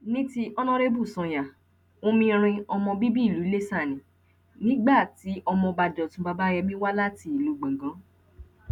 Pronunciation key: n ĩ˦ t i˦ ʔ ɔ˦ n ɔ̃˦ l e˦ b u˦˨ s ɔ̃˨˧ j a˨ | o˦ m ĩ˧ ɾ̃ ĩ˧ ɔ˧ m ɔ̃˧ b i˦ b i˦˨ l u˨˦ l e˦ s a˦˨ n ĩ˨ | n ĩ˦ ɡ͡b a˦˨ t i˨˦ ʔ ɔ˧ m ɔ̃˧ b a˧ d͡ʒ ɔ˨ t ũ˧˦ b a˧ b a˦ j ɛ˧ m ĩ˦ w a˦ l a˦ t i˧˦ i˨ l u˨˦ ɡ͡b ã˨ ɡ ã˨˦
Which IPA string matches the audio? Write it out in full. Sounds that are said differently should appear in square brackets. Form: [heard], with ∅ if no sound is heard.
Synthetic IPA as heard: n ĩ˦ t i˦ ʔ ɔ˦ n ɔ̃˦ [ɾ] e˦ b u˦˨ s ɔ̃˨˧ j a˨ | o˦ m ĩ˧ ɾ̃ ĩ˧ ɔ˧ m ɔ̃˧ b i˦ b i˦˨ l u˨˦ l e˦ s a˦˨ n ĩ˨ | n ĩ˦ ɡ͡b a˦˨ t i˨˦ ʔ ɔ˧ m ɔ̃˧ b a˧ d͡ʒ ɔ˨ t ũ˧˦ b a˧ b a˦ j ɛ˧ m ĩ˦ w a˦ l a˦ t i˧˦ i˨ l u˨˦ ɡ͡b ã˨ ɡ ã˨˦